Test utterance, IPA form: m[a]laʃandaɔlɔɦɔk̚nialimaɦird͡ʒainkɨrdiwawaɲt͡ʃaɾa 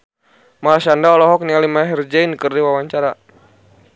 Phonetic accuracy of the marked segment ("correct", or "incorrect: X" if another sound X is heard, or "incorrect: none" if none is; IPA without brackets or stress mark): correct